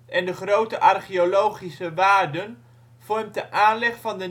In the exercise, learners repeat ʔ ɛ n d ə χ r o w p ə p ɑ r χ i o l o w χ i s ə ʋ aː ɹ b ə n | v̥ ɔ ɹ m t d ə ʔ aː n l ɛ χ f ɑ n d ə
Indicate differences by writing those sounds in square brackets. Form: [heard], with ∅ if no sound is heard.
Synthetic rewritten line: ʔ ɛ n d ə χ r o w [t] ə [ʔ] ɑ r χ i o l o w χ i s ə ʋ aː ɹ [d] ə n | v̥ ɔ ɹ m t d ə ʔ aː n l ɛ χ f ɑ n d ə